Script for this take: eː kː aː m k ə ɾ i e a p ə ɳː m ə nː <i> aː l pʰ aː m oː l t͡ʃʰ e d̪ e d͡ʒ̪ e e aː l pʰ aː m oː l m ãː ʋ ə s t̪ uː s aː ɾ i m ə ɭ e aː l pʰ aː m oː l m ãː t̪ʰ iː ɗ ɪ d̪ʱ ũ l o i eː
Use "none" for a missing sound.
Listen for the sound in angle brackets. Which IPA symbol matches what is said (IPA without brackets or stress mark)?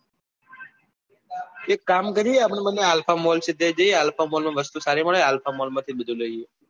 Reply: e